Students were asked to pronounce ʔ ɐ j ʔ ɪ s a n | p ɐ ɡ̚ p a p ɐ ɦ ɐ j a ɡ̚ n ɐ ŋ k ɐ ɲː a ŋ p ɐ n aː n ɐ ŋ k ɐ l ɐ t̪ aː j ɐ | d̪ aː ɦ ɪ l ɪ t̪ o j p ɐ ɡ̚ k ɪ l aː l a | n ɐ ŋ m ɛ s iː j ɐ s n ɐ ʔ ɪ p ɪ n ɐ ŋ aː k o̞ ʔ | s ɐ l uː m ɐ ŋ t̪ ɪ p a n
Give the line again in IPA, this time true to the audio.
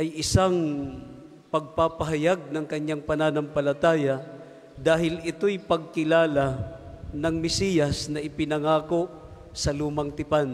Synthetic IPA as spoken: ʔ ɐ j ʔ ɪ s a ŋ | p ɐ ɡ̚ p a p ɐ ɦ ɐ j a ɡ̚ n ɐ ŋ k ɐ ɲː a ŋ p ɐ n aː n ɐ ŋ p ɐ l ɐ t̪ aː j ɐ | d̪ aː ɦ ɪ l ɪ t̪ o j p ɐ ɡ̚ k ɪ l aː l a | n ɐ ŋ m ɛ s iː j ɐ s n ɐ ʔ ɪ p ɪ n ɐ ŋ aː k o̞ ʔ | s ɐ l uː m ɐ ŋ t̪ ɪ p a n